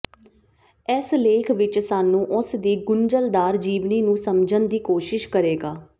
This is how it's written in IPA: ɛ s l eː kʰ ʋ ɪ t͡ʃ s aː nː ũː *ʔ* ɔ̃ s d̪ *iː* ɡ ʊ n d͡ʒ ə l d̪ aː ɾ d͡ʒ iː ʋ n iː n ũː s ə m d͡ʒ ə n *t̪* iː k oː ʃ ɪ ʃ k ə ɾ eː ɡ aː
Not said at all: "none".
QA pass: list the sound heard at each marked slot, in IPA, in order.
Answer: ʔ, iː, d̪

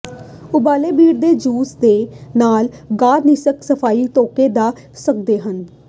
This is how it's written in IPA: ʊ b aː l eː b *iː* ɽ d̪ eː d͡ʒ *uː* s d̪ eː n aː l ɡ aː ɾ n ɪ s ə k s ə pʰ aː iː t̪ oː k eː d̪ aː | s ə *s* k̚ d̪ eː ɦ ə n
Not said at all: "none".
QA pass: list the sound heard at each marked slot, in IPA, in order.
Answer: iː, uː, none

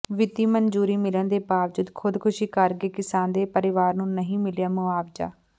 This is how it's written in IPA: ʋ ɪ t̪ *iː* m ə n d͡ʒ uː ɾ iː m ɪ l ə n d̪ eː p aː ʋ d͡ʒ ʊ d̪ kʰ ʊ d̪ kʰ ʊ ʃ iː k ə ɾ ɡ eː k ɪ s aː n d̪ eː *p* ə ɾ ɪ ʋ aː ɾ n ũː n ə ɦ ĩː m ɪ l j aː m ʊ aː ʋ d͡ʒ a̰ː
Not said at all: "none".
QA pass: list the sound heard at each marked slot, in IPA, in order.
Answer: iː, p

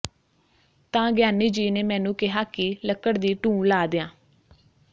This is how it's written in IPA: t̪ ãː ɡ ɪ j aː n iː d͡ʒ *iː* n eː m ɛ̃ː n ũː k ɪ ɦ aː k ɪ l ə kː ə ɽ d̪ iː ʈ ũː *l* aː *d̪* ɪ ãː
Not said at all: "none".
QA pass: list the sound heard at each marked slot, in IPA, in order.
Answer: iː, l, d̪

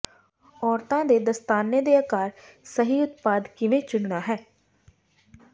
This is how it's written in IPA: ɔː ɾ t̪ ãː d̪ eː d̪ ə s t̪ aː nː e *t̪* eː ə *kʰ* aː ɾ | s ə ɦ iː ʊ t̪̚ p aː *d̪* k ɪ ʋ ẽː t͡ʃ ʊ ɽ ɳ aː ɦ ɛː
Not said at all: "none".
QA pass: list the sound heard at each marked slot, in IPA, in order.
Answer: d̪, k, d̪

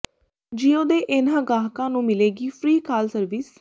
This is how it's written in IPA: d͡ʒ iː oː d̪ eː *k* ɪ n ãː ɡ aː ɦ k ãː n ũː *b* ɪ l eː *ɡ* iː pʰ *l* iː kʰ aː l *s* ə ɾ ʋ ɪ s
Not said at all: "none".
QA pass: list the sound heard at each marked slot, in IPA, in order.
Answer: ʔ, m, ɡ, ɾ, s

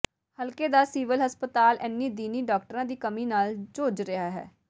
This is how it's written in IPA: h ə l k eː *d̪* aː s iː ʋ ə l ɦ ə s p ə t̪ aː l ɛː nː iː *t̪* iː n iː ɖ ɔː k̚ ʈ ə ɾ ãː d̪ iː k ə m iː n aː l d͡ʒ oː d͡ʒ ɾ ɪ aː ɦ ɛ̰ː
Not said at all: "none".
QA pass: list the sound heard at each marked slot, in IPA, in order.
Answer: d̪, d̪

